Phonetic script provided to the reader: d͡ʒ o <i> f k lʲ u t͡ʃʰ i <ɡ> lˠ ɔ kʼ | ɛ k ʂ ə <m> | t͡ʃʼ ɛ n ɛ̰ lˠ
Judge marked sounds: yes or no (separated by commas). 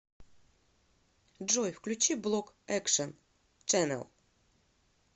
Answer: no, no, no